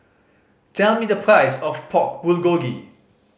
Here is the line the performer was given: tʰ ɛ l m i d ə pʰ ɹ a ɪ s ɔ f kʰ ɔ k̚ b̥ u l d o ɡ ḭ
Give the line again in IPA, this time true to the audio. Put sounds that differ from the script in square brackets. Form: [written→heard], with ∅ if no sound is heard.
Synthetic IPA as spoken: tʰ ɛ l m i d ə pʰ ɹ a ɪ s ɔ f [kʰ→pʰ] ɔ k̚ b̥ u l [d→ɡ] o ɡ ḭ